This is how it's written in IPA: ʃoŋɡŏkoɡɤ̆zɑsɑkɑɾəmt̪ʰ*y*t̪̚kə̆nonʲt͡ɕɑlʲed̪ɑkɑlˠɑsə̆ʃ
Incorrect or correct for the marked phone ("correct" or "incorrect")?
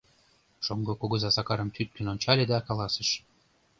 correct